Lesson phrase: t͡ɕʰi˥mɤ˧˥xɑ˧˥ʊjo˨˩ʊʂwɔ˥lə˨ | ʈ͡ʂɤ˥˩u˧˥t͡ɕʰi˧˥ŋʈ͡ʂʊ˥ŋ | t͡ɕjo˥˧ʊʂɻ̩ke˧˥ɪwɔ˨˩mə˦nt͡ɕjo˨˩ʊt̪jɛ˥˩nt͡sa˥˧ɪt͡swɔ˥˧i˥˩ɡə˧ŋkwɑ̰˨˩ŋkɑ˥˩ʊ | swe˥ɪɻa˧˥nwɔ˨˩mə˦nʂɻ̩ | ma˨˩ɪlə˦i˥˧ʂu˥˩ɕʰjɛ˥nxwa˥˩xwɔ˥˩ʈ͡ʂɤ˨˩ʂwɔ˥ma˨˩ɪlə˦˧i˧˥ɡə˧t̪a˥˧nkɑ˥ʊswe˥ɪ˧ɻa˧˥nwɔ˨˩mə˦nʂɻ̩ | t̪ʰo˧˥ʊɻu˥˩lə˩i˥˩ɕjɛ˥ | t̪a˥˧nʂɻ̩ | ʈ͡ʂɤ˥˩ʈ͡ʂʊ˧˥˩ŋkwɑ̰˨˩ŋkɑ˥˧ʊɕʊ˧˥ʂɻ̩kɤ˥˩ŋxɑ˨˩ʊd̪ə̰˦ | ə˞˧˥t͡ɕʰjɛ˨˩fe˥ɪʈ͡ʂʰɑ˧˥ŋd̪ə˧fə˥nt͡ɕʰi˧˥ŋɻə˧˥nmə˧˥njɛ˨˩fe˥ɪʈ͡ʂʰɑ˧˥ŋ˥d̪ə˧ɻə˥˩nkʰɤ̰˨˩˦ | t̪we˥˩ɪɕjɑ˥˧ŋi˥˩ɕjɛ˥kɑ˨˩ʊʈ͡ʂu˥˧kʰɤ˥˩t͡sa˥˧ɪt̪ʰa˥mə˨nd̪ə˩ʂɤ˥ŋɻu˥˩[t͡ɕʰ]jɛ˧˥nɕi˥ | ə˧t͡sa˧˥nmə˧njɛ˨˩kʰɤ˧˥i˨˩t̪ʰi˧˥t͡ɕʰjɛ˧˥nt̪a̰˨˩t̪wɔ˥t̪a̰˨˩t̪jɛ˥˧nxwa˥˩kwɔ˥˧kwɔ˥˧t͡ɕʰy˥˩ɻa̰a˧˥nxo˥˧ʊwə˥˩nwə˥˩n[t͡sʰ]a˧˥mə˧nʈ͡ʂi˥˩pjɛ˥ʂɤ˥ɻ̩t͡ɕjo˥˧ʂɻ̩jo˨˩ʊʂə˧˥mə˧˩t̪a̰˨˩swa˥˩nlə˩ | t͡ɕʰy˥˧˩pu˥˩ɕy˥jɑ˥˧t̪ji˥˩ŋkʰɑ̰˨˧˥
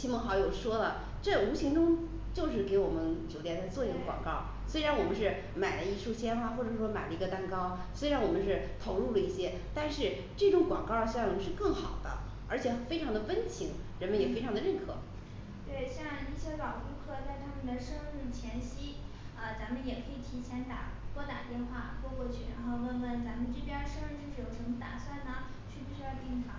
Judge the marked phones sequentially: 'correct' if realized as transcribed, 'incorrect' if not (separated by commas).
correct, incorrect